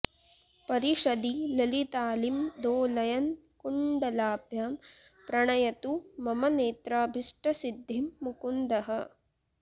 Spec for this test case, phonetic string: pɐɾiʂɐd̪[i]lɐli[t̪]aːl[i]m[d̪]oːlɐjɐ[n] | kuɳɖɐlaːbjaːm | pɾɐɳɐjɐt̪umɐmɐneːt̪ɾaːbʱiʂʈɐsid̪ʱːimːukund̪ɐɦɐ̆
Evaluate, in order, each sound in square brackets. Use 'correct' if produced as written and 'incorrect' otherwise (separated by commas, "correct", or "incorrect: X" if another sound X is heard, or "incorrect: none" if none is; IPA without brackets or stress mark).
correct, correct, correct, correct, correct